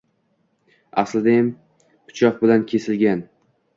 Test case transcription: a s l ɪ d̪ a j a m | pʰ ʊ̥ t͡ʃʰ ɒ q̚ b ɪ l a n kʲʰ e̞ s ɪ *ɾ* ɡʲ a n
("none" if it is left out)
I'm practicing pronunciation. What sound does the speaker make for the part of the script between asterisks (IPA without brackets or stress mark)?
l